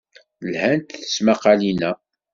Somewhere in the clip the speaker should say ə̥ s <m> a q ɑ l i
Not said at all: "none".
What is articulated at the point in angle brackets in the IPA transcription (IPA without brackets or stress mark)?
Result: m